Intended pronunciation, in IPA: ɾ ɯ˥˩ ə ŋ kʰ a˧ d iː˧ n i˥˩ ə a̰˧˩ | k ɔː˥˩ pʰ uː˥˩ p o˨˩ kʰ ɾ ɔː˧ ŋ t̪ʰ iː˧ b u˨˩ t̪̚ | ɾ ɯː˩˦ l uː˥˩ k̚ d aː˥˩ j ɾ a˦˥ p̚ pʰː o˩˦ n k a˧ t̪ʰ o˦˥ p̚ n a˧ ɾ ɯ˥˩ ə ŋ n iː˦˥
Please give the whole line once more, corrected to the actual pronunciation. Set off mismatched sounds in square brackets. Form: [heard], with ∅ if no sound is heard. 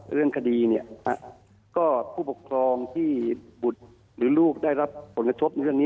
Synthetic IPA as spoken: ɾ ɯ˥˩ ə ŋ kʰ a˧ d iː˧ n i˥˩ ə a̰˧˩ | k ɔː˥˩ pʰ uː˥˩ p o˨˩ kʰ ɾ ɔː˧ ŋ t̪ʰ [iː˥˩] b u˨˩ t̪̚ | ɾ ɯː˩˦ l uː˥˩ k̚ d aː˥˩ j ɾ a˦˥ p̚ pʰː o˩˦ n k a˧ t̪ʰ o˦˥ p̚ n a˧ ɾ ɯ˥˩ ə ŋ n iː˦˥